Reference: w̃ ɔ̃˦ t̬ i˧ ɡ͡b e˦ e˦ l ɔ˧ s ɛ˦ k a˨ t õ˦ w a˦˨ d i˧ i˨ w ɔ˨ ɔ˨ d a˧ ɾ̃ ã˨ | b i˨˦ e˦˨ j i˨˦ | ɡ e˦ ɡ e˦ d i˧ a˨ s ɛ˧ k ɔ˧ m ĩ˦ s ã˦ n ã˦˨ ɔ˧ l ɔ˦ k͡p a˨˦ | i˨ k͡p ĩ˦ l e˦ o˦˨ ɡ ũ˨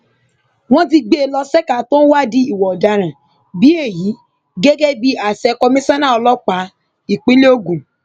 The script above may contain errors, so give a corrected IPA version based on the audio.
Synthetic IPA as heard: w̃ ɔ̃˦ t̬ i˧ ɡ͡b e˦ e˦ l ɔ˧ s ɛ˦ k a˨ t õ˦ w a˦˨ d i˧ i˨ w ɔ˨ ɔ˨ d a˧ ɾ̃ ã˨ | b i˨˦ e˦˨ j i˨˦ | ɡ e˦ ɡ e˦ b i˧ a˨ s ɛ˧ k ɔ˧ m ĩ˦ s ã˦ n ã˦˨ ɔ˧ l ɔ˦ k͡p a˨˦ | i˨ k͡p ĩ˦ l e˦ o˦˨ ɡ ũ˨

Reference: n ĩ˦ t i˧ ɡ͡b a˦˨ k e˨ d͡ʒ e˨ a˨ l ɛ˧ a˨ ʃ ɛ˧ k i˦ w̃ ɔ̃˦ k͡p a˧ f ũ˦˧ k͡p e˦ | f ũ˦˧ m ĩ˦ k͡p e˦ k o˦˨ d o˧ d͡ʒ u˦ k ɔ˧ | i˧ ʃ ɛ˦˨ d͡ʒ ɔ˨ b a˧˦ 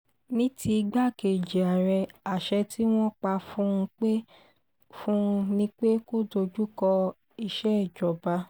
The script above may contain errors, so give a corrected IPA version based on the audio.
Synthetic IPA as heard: n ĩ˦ t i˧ ɡ͡b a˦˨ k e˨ d͡ʒ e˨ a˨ ɾ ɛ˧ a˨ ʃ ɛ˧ t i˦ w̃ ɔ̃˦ k͡p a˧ f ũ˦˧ k͡p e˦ | f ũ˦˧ n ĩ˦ k͡p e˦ k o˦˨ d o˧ d͡ʒ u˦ k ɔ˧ | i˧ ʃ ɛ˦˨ d͡ʒ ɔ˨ b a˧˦

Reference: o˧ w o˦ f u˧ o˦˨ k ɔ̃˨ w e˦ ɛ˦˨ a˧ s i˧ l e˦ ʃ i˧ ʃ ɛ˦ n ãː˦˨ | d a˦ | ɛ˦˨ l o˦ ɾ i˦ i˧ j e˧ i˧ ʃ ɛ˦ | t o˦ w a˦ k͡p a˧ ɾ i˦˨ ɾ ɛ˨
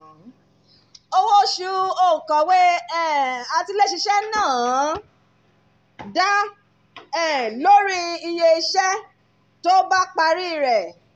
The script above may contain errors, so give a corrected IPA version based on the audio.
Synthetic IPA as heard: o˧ w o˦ ʃ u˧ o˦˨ k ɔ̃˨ w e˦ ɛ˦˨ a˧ t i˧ l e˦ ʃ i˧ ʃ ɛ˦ n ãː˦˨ | d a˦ | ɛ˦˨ l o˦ ɾ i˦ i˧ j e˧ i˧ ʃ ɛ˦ | t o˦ b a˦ k͡p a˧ ɾ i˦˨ ɾ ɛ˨

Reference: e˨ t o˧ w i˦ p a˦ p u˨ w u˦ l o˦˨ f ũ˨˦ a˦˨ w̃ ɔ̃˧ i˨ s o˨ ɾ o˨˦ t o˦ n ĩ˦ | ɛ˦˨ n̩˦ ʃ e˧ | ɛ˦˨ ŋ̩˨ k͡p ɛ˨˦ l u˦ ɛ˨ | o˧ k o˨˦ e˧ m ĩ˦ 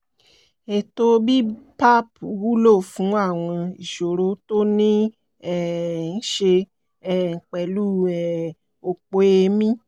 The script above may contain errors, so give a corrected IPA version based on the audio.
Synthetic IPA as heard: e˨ t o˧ b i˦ p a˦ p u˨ w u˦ l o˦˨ f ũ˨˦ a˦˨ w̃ ɔ̃˧ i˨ ʃ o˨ ɾ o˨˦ t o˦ n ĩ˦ | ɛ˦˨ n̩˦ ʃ e˧ | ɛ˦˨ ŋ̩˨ k͡p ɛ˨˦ l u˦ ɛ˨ | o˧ k͡p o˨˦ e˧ m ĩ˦

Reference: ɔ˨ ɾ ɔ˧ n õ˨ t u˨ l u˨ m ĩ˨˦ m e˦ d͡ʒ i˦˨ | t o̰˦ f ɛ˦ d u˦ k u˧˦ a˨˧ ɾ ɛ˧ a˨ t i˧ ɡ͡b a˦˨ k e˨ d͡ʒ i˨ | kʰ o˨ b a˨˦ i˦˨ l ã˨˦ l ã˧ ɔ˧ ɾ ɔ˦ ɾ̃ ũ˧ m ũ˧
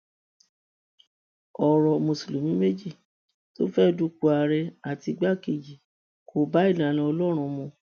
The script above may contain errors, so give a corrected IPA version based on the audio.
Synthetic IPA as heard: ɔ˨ ɾ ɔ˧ m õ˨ s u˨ l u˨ m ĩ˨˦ m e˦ d͡ʒ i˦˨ | t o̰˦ f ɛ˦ d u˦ k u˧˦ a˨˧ ɾ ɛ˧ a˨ t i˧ ɡ͡b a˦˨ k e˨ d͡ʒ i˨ | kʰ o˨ b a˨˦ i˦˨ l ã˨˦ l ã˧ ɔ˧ l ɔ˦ ɾ̃ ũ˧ m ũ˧

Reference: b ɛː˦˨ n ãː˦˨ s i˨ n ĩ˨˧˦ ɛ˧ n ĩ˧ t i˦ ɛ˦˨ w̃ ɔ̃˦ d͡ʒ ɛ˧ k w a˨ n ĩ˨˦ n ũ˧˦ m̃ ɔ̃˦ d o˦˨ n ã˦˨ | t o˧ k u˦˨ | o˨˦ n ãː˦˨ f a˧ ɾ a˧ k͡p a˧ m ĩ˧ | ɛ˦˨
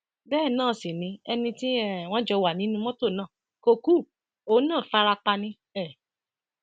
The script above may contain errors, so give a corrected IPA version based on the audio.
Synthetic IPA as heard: b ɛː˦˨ n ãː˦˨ s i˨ n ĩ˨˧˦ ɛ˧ n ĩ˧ t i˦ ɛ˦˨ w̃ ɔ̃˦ d͡ʒ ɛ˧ w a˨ n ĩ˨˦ n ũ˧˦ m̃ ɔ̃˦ t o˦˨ n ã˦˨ | k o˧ k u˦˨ | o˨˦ n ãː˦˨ f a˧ ɾ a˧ k͡p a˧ n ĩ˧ | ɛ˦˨

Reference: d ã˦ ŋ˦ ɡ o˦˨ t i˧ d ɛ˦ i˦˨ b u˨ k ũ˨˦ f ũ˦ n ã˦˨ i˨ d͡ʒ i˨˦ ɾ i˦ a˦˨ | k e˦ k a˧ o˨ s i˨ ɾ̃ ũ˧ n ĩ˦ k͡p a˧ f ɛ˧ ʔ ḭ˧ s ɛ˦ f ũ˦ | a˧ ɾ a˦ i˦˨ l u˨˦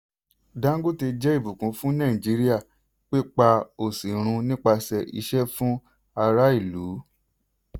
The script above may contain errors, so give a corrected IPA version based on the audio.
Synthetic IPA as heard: d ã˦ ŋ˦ ɡ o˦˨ t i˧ d͡ʒ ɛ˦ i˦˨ b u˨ k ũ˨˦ f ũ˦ n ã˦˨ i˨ d͡ʒ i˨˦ ɾ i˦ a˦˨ | k͡p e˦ k͡p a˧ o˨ s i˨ ɾ̃ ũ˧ n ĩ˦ k͡p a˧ s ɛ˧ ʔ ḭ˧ ʃ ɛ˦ f ũ˦ | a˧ ɾ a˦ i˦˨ l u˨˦

